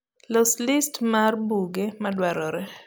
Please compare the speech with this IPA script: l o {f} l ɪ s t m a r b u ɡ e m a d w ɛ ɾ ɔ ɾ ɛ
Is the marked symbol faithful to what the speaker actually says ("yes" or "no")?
no